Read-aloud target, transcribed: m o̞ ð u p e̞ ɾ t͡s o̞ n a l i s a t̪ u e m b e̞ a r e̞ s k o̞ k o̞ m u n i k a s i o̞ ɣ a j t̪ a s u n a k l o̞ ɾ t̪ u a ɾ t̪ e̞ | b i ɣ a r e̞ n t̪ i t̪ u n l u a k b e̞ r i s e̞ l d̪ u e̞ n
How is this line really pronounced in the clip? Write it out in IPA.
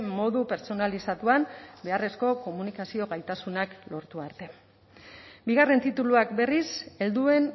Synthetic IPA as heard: m o̞ ð u p e̞ ɾ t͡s o̞ n a l i s a t̪ u a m b e̞ a r e̞ s k o̞ k o̞ m u n i k a s i o̞ ɣ a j t̪ a s u n a k l o̞ ɾ t̪ u a ɾ t̪ e̞ | b i ɣ a r e̞ n t̪ i t̪ u l u a k b e̞ r i s e̞ l d̪ u e̞ n